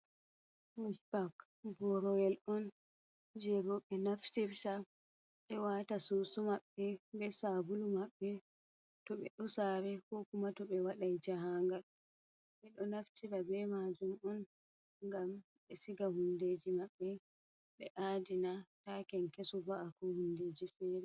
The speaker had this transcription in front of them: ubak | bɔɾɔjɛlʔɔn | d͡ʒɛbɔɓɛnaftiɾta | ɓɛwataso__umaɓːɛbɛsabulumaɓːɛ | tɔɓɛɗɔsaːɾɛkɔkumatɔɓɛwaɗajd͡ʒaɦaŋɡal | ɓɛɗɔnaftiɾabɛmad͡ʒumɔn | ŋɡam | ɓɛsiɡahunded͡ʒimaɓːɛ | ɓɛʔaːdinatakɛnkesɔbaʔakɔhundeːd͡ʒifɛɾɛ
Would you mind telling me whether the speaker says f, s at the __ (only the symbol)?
s